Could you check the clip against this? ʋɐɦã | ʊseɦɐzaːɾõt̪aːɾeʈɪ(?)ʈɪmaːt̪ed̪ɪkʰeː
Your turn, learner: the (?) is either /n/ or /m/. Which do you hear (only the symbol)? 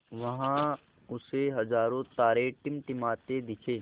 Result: m